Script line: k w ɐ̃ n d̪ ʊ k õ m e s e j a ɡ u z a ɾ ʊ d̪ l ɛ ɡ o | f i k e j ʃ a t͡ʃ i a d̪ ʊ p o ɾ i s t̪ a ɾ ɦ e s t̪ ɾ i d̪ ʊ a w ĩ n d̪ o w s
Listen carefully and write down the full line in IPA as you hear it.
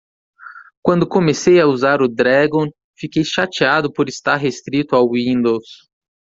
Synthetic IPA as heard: k w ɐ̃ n d̪ ʊ k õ m e s e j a u z a ɾ ʊ d̪ ɾ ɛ ɡ õ | f i k e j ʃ a t͡ʃ i a d̪ ʊ p o ɾ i s t̪ a ɾ ɦ e s t̪ ɾ i t̪ ʊ a w ĩ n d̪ o w s